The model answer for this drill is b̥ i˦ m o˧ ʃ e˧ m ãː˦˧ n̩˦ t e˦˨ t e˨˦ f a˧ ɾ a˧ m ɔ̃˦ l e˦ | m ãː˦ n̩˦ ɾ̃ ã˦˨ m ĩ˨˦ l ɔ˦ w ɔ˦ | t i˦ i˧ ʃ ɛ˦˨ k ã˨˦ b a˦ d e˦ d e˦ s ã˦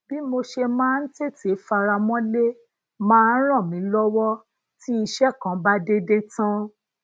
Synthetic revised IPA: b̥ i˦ m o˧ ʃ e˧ m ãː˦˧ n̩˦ t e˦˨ t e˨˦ f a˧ ɾ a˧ m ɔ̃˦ l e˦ | m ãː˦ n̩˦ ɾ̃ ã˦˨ m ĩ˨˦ l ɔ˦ w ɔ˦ | t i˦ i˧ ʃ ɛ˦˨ k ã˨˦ b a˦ d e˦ d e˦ t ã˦